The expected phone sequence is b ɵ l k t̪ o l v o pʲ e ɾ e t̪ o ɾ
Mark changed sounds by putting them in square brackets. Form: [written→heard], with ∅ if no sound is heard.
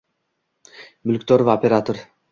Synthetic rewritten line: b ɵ l k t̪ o [l→ɾ] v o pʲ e ɾ [e→a] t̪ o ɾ